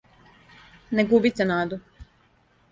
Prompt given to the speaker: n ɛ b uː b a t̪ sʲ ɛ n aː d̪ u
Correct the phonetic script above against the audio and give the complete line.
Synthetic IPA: n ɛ ɡ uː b i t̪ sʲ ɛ n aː d̪ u

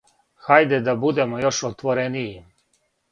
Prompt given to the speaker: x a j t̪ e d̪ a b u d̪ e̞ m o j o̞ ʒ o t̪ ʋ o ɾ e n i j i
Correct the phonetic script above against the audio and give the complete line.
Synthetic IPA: x a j d̪ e d̪ a b u d̪ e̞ m o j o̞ ʃ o t̪ ʋ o ɾ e n i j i

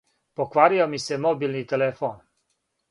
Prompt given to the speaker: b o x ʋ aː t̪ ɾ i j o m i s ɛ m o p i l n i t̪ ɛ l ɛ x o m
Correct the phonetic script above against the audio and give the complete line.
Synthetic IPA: p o k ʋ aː ɾ i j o m i s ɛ m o b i l n i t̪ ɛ l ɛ f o n

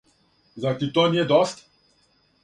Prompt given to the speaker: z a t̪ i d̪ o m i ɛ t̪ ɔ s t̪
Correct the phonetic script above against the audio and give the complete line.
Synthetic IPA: z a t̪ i t̪ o n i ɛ d̪ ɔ s t̪

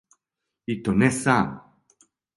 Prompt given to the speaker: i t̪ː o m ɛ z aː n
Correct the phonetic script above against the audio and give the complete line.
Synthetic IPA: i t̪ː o n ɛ s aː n

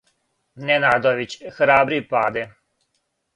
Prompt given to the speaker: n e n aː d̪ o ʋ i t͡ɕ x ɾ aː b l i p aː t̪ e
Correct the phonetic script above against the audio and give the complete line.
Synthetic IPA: n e n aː d̪ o ʋ i t͡ɕ x ɾ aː b ɾ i p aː d̪ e

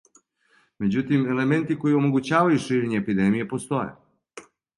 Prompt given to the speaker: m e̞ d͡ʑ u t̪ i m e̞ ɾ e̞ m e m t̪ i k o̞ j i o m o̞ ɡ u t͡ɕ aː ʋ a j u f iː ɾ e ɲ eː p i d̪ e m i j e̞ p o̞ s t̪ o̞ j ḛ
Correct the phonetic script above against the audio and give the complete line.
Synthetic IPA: m e̞ d͡ʑ u t̪ i m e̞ l e̞ m e n t̪ i k o̞ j i o m o̞ ɡ u t͡ɕ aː ʋ a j u ʃ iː ɾ e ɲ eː p i d̪ e m i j e̞ p o̞ s t̪ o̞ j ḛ

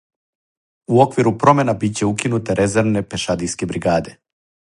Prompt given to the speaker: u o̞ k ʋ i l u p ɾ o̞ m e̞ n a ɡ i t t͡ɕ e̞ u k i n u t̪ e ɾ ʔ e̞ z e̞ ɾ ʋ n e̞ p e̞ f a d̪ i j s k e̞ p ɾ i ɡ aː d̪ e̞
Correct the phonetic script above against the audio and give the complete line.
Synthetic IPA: u o̞ k ʋ i ɾ u p ɾ o̞ m e̞ n a b i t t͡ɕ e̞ u k i n u t̪ e ɾ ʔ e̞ z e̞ ɾ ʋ n e̞ p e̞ ʃ a d̪ i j s k e̞ b ɾ i ɡ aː d̪ e̞

